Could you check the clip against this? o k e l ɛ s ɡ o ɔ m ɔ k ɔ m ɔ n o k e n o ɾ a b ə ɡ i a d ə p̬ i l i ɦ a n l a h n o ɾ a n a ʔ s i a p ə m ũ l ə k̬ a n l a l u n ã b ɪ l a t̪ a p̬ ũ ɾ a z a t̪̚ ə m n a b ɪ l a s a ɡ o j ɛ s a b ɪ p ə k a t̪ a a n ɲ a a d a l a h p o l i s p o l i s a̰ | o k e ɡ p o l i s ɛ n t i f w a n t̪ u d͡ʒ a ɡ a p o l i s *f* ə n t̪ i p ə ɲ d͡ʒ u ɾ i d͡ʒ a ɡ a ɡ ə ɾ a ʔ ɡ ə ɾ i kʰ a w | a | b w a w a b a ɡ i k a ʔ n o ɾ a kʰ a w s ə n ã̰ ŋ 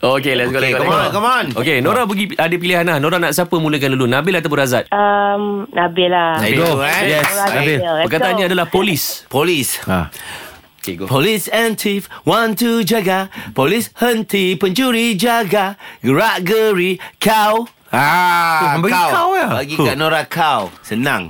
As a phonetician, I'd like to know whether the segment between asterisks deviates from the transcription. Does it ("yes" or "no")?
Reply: yes